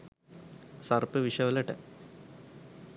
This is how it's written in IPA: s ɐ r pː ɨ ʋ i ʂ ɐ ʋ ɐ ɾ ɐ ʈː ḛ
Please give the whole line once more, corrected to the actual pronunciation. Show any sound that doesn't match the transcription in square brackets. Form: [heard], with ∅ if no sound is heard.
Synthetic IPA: s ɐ r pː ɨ ʋ i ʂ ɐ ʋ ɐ [l] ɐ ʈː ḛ

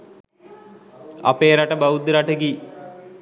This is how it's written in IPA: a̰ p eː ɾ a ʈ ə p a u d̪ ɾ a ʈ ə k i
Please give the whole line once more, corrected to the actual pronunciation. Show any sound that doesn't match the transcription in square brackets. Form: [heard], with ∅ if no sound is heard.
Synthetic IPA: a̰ p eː ɾ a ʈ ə [b] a u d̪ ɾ a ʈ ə [ɡ] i

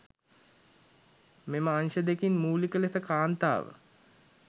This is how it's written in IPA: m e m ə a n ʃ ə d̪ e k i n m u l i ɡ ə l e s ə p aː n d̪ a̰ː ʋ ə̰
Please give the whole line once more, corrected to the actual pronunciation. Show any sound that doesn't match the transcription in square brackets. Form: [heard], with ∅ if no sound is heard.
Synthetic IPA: m e m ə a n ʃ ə d̪ e k i n m [uː] l i [k] ə l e s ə [k] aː n [t̪] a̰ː ʋ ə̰

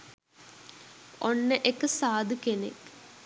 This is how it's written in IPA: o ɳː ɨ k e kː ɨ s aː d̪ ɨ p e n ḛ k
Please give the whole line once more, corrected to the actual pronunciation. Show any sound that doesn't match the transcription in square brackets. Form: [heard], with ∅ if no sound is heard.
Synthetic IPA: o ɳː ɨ [ʔ] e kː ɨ s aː d̪ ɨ [k] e n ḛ k

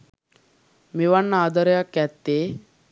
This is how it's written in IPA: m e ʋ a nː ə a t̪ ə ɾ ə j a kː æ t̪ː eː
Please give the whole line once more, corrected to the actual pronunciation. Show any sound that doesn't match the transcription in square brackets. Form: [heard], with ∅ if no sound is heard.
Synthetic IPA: m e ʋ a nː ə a [d̪] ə ɾ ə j a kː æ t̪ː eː

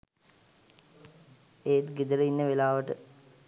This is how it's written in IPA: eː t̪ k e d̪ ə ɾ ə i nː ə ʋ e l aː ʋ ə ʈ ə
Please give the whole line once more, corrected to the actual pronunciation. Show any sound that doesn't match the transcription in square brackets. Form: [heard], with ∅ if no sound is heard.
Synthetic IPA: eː t̪ [ɡ] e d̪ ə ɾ ə i nː ə ʋ e l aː ʋ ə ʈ ə

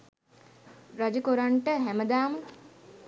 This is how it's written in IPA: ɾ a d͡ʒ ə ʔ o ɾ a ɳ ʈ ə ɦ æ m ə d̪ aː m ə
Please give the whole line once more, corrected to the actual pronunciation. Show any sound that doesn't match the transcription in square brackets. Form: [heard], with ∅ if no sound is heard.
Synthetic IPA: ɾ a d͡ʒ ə [k] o ɾ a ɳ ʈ ə ɦ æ m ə d̪ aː m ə

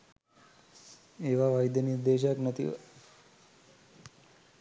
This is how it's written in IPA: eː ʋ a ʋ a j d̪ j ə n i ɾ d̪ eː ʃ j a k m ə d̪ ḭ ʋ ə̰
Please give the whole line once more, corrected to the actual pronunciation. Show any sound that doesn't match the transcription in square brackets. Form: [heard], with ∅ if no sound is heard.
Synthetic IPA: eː ʋ a ʋ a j d̪ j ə n i ɾ d̪ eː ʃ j a k [n] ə [t̪] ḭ ʋ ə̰

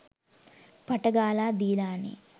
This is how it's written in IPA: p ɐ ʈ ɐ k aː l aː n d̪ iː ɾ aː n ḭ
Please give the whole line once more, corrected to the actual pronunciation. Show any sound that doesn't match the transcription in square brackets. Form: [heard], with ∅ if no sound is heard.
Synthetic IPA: p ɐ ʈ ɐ [ɡ] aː l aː [∅] d̪ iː [l] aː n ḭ

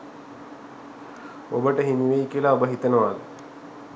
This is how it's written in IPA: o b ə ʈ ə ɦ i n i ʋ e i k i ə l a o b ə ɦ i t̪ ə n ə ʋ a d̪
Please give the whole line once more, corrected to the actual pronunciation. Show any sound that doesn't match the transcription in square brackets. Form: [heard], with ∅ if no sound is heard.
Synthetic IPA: o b ə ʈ ə ɦ i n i ʋ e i k i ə l a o b ə ɦ i t̪ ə n ə ʋ a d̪

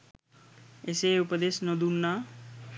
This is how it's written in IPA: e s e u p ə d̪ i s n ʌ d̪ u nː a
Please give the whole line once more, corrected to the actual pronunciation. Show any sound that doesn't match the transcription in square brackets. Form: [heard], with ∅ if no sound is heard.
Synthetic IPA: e s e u p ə d̪ [e] s n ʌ d̪ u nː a

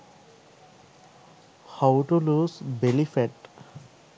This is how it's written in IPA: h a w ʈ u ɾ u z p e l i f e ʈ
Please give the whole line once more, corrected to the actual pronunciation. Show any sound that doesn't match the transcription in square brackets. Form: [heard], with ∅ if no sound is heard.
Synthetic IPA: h a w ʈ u [l] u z [b] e l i f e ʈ

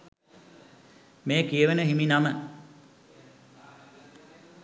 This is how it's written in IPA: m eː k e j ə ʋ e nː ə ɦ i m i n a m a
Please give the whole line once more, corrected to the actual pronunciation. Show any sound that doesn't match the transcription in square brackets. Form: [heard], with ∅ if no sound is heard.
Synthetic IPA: m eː k [i] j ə ʋ e [n] ə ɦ i m i n a m [ə]

